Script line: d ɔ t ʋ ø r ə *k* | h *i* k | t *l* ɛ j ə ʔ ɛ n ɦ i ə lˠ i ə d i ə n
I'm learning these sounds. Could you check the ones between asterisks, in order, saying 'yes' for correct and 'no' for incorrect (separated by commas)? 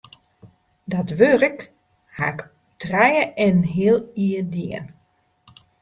yes, no, no